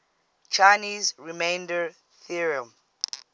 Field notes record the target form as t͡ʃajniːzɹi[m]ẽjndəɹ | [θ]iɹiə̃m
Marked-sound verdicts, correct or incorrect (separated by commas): correct, correct